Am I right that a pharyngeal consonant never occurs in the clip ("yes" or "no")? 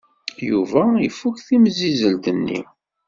yes